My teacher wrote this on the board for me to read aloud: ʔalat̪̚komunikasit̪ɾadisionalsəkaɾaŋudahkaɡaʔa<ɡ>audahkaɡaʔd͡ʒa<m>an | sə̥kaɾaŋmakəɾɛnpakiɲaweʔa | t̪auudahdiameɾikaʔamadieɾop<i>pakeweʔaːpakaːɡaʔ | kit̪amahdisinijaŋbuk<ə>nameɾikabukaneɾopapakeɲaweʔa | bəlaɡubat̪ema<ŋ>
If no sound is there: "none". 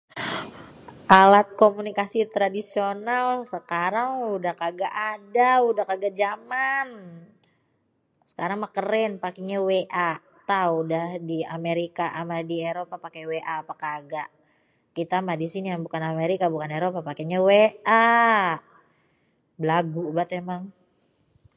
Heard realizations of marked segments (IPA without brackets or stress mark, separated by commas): d, m, a, a, ŋ